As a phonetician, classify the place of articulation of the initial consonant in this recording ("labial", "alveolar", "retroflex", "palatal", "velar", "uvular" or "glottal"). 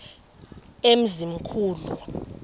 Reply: labial